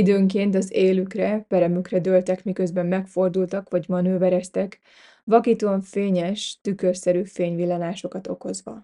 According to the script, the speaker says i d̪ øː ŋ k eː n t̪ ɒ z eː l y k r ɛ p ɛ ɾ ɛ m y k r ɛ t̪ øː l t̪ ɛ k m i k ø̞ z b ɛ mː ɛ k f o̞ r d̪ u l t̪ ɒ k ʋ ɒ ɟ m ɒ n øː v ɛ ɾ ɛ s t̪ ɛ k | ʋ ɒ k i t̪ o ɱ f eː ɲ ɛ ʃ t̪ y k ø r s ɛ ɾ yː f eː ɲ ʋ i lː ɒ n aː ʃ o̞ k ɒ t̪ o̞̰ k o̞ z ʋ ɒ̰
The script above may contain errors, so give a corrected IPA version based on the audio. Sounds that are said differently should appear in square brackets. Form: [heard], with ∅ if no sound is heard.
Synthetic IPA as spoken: i d̪ øː ŋ k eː n t̪ ɒ z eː l y k r ɛ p ɛ ɾ ɛ m y k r ɛ [d̪] øː l t̪ ɛ k m i k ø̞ z b ɛ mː ɛ k f o̞ r d̪ u l t̪ ɒ k ʋ ɒ ɟ m ɒ n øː v ɛ ɾ ɛ s t̪ ɛ k | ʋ ɒ k i t̪ o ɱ f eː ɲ ɛ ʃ t̪ y k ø r s ɛ ɾ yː f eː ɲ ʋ i lː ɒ n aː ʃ o̞ k ɒ t̪ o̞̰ k o̞ z ʋ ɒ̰